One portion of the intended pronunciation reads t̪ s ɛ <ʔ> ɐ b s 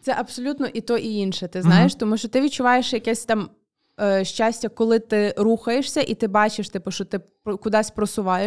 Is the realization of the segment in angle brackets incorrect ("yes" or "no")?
no